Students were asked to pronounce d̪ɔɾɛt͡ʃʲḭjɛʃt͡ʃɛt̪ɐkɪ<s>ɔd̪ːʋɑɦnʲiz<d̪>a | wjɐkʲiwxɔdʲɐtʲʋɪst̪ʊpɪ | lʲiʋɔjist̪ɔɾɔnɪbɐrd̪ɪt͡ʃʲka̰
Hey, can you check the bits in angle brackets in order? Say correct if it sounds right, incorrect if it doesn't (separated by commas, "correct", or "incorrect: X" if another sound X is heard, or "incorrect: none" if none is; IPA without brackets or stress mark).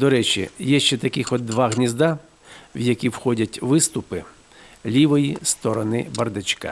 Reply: incorrect: x, correct